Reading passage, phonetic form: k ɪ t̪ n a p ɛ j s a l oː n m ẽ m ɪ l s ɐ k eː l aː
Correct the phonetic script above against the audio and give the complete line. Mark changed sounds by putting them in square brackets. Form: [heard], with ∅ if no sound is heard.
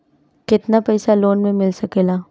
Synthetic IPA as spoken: k ɪ t̪ n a p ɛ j s a l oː n m ẽ m ɪ l s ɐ k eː l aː